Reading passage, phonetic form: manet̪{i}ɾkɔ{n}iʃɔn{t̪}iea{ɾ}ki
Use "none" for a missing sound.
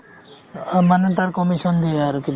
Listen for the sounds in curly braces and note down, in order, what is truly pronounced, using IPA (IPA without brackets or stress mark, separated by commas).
a, m, d̪, ɾ